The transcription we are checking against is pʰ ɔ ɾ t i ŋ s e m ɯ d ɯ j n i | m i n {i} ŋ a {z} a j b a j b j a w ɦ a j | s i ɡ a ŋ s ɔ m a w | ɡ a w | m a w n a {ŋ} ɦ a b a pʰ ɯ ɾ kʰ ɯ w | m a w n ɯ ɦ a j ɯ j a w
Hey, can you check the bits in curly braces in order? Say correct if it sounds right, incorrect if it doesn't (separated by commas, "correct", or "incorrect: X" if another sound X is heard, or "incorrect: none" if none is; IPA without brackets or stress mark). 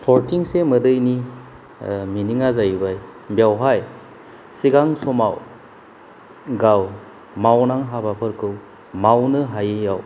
correct, correct, correct